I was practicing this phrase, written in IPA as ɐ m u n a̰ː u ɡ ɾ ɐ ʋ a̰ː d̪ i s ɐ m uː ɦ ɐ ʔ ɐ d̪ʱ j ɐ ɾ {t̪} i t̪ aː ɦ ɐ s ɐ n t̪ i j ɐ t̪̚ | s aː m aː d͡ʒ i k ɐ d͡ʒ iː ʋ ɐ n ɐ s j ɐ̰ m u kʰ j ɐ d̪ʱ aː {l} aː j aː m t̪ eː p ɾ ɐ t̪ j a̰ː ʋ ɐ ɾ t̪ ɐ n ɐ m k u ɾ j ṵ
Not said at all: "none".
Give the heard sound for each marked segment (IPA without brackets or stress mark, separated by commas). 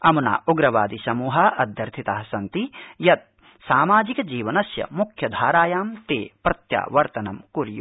t̪ʰ, ɾ